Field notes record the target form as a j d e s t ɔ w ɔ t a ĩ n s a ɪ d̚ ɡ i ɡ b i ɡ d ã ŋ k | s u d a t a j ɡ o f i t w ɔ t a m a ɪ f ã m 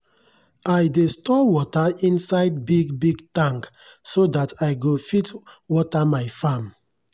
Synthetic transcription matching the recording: a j d e s t ɔ w ɔ t a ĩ n s a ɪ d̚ b i ɡ b i ɡ t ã ŋ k | s o d a t a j ɡ o f i t w ɔ t a m a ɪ f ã m